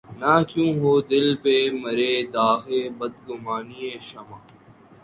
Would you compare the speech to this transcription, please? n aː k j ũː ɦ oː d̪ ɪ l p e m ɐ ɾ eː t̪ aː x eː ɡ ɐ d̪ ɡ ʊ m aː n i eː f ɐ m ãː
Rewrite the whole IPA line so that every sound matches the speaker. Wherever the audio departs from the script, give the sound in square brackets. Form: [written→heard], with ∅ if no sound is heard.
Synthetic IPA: n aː k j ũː ɦ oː d̪ ɪ l p e m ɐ ɾ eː [t̪→d̪] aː x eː [ɡ→b] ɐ d̪ ɡ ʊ m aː n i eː [f→ʃ] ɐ m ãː